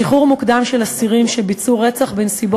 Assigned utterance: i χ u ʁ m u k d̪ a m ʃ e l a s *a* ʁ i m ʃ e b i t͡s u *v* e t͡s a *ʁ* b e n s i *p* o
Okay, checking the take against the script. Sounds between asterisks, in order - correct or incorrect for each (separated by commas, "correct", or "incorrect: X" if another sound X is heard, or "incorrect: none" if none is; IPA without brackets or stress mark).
incorrect: i, incorrect: ʁ, incorrect: χ, incorrect: b